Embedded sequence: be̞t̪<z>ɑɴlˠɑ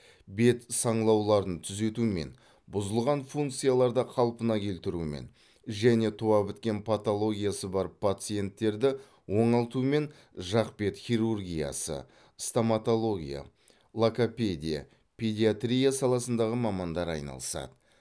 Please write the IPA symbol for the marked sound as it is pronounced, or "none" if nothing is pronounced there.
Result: s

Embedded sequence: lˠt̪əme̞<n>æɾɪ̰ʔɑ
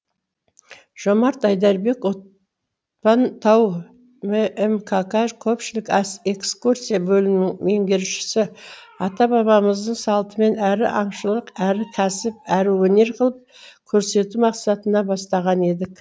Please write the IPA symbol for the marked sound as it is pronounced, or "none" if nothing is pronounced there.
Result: n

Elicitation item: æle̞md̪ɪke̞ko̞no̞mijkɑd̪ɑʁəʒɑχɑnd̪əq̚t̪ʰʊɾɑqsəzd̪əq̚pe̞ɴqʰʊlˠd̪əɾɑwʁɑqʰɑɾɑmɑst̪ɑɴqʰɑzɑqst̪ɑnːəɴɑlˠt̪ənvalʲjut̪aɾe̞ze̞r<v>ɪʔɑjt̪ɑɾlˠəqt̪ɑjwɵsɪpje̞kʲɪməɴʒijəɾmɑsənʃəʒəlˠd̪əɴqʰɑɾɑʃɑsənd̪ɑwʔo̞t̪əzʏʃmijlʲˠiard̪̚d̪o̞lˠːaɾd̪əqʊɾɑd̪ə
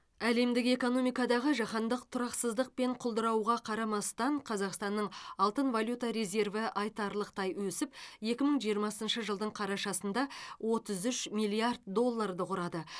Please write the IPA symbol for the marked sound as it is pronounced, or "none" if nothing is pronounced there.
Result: v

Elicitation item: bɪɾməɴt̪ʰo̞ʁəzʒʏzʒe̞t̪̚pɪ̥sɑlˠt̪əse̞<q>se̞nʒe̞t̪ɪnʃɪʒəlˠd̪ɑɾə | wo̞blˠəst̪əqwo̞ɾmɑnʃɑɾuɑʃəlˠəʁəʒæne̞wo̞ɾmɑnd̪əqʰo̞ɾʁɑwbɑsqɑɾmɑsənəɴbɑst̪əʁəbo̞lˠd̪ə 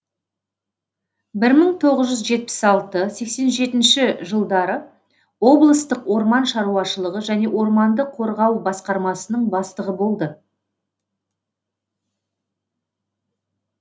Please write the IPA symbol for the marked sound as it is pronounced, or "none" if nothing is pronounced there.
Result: k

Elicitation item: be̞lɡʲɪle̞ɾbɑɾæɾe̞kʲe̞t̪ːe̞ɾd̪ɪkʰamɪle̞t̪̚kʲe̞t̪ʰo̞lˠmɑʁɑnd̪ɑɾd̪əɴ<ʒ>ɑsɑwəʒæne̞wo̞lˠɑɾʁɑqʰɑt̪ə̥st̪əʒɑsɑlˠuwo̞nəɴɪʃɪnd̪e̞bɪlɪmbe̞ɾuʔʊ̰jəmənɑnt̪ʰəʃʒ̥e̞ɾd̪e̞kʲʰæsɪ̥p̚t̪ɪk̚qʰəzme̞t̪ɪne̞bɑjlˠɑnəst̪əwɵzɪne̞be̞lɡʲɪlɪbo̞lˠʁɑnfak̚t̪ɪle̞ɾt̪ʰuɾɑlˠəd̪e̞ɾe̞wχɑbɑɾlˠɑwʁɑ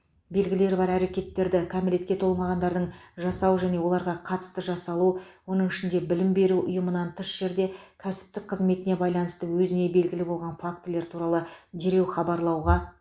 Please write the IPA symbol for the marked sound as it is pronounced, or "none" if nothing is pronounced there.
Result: ʒ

